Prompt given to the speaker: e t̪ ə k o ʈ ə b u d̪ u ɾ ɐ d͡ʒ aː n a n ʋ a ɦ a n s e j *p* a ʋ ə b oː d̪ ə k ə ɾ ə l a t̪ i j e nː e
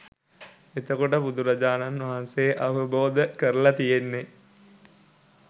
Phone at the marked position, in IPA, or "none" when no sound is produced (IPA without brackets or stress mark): ʔ